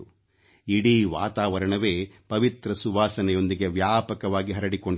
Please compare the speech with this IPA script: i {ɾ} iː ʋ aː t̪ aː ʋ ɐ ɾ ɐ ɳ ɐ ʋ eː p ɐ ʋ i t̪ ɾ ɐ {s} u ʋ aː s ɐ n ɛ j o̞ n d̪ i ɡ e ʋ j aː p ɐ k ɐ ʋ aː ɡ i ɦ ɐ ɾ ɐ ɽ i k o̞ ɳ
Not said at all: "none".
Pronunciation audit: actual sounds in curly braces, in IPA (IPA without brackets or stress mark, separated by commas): ɽ, s